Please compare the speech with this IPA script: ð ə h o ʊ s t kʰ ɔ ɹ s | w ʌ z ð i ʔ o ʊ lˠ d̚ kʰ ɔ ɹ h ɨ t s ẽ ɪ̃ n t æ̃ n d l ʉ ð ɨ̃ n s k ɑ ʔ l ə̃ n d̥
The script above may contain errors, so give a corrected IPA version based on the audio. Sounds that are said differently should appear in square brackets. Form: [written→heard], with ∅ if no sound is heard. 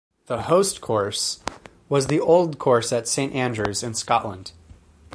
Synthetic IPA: ð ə h o ʊ s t kʰ ɔ ɹ s | w ʌ z ð i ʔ o ʊ lˠ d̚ kʰ ɔ ɹ [h→s] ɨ t s ẽ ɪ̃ n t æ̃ n d [l→ɹ] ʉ [ð→z] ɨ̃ n s k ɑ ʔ l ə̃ n d̥